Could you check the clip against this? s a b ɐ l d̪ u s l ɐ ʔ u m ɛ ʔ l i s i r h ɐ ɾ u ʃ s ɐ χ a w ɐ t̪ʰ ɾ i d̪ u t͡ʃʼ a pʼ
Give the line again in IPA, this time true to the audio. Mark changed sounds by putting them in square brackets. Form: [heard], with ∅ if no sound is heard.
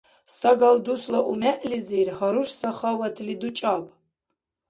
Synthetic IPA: s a [ɡ] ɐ l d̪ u s l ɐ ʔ u m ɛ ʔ l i [z] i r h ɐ ɾ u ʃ s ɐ χ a w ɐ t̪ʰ [l] i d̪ u t͡ʃʼ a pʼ